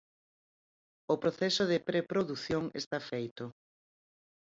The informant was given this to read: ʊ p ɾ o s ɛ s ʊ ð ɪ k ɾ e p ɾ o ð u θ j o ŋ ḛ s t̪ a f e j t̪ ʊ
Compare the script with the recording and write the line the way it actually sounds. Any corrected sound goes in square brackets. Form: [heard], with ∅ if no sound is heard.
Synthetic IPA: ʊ p ɾ o [θ] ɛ s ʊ ð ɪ [p] ɾ e p ɾ o ð u θ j o ŋ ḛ s t̪ a f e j t̪ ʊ

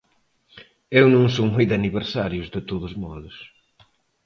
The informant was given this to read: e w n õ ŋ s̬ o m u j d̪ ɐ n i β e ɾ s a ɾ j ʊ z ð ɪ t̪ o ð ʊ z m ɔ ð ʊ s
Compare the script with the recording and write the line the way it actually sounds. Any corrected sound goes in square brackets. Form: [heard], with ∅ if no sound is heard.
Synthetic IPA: e w n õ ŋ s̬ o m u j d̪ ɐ n i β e ɾ s a ɾ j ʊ z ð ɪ t̪ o ð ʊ z m ɔ ð ʊ s

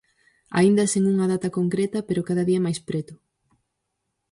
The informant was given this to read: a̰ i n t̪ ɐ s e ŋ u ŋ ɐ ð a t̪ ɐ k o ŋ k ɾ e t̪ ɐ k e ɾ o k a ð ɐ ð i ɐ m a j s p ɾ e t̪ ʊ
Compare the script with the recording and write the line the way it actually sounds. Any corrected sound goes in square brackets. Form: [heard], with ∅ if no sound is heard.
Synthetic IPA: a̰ i n [d̪] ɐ s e ŋ u ŋ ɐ ð a t̪ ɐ k o ŋ k ɾ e t̪ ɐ [p] e ɾ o k a ð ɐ ð i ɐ m a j s p ɾ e t̪ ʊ

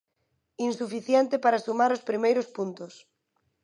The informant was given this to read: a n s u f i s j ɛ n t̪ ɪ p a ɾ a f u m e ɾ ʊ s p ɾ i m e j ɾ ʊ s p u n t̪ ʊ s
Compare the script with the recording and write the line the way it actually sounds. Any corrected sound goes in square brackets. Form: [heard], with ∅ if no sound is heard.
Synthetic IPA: [i] n s u f i [θ] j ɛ n t̪ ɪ p a ɾ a [s] u m [a] ɾ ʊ s p ɾ i m e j ɾ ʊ s p u n t̪ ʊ s

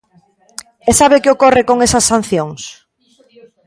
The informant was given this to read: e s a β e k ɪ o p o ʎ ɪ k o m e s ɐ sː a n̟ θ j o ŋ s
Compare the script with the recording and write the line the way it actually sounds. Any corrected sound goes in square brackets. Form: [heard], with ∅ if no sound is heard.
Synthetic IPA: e s a β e k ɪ o [k] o [r] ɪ k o [ŋ] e s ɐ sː a n̟ θ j o ŋ s

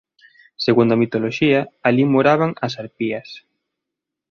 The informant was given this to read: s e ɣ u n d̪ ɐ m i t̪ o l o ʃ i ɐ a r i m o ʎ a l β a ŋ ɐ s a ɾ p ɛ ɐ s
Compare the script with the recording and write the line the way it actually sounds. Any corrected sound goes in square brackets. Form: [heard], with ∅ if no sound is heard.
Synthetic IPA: s e ɣ u n d̪ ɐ m i t̪ o l o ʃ i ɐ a [l] i m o [ɾ] a [∅] β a ŋ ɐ s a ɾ p [i] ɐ s

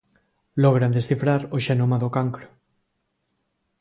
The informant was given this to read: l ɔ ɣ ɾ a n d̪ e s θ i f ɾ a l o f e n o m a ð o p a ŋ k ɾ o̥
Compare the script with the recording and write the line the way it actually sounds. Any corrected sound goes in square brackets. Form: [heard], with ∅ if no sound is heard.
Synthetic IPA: l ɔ ɣ ɾ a n d̪ e s θ i f ɾ a [ɾ] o [ʃ] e n o m a ð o [k] a ŋ k ɾ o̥

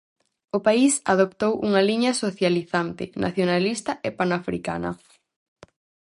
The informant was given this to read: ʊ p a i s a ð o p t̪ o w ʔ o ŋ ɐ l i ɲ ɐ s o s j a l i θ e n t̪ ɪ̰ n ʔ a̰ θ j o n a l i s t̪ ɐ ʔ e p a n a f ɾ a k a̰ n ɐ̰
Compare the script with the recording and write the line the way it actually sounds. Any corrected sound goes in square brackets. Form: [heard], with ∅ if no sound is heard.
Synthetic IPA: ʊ p a i s a ð o p t̪ o w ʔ [u] ŋ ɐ l i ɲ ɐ s o [θ] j a l i θ [a] n t̪ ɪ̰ n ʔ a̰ θ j o n a l i s t̪ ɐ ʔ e p a n a f ɾ [i] k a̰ n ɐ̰

